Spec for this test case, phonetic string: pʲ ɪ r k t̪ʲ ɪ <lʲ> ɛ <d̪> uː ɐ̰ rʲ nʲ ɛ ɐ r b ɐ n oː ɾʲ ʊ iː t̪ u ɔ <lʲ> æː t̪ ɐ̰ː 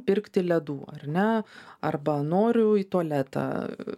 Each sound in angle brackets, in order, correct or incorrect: correct, correct, correct

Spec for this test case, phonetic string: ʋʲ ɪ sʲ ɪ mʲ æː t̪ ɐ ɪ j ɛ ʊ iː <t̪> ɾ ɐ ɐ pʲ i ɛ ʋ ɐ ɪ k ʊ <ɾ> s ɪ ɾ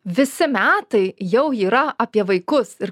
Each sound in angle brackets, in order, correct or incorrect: incorrect: none, incorrect: none

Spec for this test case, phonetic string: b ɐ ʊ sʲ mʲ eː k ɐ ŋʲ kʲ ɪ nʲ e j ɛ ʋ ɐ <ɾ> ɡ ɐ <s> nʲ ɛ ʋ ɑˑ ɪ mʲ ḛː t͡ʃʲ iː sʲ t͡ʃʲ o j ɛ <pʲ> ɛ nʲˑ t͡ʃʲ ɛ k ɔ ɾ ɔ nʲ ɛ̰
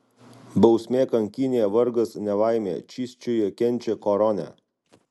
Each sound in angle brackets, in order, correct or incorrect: correct, correct, incorrect: kʲ

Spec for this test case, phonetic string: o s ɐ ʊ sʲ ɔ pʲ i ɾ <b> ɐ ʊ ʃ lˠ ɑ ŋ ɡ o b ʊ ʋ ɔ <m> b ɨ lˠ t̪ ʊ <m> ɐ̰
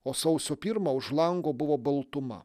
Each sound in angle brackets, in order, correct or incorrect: incorrect: m, incorrect: none, correct

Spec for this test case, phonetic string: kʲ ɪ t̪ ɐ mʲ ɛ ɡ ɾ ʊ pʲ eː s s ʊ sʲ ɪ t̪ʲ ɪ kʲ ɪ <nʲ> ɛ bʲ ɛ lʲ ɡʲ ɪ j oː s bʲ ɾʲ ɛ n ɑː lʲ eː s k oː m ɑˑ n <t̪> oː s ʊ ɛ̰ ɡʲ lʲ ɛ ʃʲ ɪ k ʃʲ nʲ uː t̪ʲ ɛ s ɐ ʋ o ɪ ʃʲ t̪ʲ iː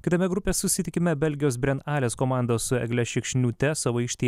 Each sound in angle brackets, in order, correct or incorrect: incorrect: mʲ, incorrect: d̪

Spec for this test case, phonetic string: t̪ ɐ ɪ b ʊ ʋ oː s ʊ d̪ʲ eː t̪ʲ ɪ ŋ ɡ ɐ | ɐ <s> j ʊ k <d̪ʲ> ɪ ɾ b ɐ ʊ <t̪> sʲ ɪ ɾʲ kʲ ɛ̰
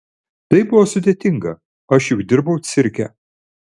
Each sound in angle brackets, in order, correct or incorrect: incorrect: ʃ, correct, correct

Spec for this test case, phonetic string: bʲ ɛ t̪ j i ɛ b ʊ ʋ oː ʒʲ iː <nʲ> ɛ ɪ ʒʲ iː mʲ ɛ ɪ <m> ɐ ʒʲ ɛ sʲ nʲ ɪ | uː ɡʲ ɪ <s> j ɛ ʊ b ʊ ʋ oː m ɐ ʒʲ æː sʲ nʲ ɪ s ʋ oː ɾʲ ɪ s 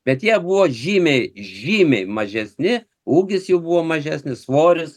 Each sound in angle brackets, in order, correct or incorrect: incorrect: mʲ, correct, correct

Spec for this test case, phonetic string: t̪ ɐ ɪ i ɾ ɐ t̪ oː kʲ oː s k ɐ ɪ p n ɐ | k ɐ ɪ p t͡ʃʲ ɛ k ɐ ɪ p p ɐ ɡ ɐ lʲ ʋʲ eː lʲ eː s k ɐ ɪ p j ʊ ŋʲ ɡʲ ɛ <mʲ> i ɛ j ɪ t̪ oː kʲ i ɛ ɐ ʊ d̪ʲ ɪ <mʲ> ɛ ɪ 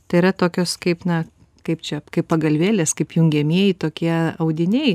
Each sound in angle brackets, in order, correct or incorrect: correct, incorrect: nʲ

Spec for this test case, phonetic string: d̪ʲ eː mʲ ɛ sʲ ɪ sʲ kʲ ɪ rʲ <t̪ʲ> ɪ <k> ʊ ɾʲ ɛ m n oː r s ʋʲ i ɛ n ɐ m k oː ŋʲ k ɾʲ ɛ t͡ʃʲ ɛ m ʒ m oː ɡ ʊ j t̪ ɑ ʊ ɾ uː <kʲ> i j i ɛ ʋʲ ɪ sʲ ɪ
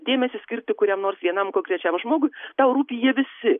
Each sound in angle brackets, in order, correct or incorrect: correct, correct, incorrect: pʲ

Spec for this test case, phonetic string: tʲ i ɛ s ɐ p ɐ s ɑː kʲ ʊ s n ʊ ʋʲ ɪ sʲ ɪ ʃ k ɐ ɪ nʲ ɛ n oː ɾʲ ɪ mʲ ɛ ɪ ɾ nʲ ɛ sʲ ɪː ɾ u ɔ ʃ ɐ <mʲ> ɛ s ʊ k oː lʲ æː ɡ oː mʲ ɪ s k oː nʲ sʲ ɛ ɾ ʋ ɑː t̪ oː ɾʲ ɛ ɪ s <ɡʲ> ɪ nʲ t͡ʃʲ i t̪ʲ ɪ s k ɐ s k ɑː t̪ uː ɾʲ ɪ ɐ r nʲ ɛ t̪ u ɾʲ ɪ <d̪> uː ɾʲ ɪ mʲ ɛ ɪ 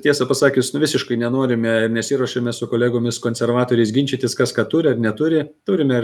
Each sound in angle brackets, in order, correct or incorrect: correct, correct, incorrect: t̪

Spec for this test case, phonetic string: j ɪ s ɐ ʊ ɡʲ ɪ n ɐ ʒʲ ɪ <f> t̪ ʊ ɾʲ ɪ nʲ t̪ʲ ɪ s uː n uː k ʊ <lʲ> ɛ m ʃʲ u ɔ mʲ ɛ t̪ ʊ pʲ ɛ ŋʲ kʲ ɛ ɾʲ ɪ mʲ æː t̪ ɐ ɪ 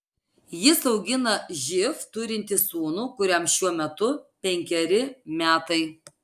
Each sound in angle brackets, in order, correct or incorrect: correct, incorrect: ɾʲ

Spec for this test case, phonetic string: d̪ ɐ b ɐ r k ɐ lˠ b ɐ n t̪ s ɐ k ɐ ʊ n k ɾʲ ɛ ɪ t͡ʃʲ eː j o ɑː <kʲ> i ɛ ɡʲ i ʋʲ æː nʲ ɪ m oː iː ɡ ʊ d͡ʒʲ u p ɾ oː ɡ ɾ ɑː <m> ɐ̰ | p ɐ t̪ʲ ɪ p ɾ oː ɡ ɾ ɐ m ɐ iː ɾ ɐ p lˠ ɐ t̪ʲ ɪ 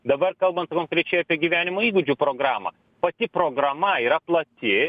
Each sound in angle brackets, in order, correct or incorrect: incorrect: pʲ, correct

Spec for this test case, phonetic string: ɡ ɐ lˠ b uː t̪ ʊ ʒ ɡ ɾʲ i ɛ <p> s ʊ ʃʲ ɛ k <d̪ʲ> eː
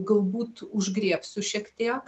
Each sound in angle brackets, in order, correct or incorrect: correct, incorrect: t̪ʲ

